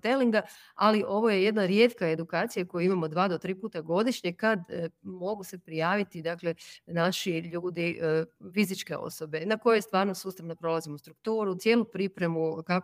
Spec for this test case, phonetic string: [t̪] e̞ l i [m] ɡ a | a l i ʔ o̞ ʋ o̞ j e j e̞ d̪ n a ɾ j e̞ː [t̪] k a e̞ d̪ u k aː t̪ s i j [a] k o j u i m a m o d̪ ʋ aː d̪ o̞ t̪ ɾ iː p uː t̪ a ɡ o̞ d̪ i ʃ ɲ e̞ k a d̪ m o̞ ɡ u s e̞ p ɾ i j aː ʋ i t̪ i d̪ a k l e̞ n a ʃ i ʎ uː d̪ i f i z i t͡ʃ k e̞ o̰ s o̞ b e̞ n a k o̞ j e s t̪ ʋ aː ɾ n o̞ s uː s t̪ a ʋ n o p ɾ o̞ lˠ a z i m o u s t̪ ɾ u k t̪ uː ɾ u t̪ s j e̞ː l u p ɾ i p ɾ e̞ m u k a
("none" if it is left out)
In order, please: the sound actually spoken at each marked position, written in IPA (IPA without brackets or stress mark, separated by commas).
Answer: t̪, ŋ, t̪, a